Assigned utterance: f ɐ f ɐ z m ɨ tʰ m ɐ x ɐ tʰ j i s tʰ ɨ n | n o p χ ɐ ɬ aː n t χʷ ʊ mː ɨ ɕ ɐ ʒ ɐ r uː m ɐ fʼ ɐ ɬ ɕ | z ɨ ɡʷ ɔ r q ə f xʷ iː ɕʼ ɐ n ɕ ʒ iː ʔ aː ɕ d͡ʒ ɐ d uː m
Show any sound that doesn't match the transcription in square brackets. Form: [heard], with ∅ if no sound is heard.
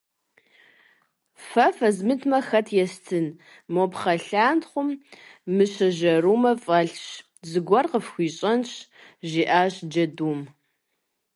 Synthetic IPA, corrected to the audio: f ɐ f ɐ z m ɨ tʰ m ɐ x ɐ tʰ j [ɛ] s tʰ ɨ n | [m] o p χ ɐ ɬ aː n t χʷ ʊ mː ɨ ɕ ɐ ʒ ɐ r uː m ɐ fʼ ɐ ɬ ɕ | z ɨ ɡʷ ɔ r q ə f xʷ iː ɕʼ ɐ n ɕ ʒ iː ʔ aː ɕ d͡ʒ ɐ d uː m